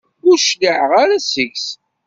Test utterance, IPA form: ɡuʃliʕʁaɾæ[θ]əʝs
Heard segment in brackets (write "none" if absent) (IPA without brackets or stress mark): s